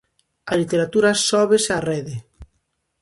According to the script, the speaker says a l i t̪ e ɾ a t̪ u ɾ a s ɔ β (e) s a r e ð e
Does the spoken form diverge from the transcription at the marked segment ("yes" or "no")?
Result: no